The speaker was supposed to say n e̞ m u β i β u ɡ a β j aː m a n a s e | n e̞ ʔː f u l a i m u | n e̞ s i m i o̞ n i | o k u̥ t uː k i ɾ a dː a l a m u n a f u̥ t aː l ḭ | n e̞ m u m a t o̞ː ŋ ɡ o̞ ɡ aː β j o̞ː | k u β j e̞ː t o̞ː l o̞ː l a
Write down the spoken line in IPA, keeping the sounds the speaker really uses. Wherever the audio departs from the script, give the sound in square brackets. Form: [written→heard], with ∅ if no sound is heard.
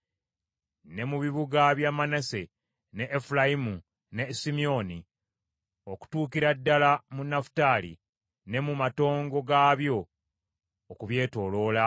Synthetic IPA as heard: n e̞ m u β i β u ɡ a β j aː m a n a s e | n e̞ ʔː f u l a i m u | n e̞ s i m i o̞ n i | o k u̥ t uː k i ɾ a dː a l a m u n a f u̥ t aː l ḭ | n e̞ m u m a t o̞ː ŋ ɡ o̞ ɡ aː β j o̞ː | k u β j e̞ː t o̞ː l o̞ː l a

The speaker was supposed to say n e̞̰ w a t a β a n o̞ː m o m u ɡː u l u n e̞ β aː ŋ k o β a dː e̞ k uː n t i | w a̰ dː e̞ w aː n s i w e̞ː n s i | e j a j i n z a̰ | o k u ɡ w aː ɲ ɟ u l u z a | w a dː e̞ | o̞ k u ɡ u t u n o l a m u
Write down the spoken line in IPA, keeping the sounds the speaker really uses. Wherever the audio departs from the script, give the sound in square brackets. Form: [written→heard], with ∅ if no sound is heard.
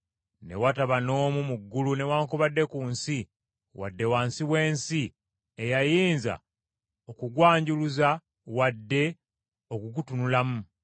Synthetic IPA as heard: n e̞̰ w a t a β a n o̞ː m [o→u] m u ɡː u l u n e̞ [β→w] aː ŋ k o β a dː e̞ k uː n [t→s] i | w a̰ dː e̞ w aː n s i w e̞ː n s i | e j a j [i→iː] n z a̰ | o k u ɡ w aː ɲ ɟ u l u z a | w a dː e̞ | o̞ k u ɡ u t u n [o→u] l a m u

